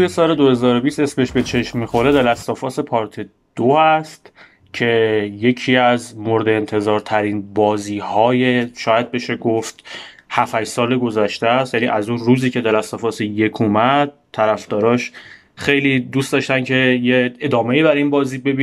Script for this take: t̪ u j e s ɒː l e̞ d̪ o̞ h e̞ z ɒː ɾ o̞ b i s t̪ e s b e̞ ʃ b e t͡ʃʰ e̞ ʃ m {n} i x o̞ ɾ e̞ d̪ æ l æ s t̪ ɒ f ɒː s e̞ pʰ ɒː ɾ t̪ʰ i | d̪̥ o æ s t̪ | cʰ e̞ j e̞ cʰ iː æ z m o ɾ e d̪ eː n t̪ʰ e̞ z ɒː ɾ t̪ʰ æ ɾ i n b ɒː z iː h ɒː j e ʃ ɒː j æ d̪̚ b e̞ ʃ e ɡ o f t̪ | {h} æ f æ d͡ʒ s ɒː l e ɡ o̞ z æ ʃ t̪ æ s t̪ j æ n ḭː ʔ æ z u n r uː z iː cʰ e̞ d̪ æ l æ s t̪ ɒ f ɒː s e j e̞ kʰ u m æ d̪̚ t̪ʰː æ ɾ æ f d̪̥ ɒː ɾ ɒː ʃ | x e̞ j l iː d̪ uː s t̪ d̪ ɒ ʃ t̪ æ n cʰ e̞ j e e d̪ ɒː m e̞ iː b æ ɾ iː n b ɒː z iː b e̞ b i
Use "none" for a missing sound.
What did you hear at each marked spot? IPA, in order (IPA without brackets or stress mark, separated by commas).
m, h